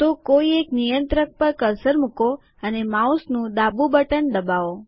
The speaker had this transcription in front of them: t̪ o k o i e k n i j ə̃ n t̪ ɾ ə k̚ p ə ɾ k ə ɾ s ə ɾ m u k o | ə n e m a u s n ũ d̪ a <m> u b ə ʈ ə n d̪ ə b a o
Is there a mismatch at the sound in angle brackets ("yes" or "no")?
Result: yes